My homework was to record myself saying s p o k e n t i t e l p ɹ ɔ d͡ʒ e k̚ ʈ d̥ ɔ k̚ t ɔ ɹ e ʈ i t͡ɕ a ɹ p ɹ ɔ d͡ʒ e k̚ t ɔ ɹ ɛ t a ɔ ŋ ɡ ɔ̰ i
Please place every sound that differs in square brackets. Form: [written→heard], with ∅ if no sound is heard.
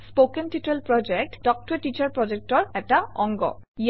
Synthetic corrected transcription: s p o k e n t i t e l p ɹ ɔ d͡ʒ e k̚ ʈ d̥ ɔ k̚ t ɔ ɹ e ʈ i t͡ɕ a ɹ p ɹ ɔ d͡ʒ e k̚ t ɔ ɹ ɛ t a ɔ ŋ ɡ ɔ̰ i